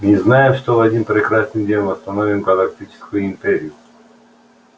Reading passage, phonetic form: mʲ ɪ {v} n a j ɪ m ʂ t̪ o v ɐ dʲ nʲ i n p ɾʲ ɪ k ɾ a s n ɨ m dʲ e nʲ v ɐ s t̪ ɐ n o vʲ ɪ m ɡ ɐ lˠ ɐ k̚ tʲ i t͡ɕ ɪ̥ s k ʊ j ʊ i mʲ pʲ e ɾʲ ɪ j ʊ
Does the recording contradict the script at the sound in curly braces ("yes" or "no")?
yes